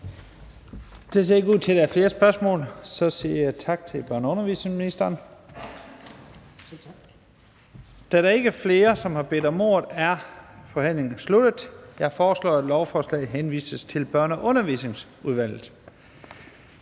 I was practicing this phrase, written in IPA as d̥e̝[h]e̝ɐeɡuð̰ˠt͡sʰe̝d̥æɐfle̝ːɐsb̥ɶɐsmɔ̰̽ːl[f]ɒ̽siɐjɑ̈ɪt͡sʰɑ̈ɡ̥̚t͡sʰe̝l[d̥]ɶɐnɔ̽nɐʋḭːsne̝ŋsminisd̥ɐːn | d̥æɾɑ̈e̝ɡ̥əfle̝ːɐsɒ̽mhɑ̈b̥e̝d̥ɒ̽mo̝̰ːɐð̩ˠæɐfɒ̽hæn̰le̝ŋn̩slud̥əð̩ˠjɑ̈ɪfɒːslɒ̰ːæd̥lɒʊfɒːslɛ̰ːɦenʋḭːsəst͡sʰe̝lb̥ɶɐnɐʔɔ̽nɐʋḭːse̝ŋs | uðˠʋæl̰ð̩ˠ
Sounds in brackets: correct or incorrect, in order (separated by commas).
incorrect, incorrect, incorrect